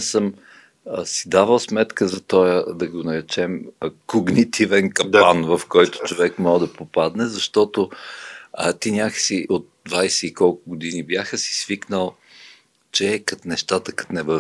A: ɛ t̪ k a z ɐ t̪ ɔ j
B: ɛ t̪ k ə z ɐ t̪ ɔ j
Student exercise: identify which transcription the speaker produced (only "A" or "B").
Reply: B